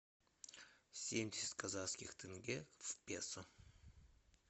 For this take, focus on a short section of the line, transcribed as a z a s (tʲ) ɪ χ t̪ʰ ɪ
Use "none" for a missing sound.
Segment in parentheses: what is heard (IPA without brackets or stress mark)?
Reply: kʲ